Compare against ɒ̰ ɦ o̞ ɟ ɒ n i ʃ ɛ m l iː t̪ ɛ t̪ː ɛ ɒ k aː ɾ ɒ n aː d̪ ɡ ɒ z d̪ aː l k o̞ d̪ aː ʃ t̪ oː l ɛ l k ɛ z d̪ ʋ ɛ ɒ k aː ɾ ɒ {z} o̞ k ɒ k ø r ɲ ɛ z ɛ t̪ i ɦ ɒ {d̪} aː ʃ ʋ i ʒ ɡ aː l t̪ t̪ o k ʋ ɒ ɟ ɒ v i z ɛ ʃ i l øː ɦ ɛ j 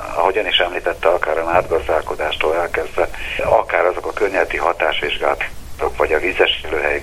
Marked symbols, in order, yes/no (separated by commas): yes, no